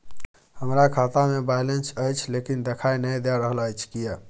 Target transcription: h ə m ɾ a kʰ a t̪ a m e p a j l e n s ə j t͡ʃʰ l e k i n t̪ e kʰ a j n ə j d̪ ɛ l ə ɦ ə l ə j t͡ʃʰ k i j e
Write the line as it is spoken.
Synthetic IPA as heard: h ə m ɾ a kʰ a t̪ a m e b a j l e n s ə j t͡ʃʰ l e k i n d̪ e kʰ a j n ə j d̪ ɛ ɾ ə ɦ ə l ə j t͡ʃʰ k i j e